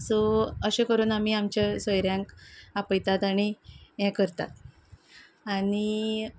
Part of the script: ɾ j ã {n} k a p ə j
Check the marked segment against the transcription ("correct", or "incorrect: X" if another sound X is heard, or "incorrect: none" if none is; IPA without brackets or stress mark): incorrect: ŋ